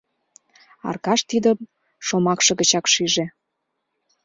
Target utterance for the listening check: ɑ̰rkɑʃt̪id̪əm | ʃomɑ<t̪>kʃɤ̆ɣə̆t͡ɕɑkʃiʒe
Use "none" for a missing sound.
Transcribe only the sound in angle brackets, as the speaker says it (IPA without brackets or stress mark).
none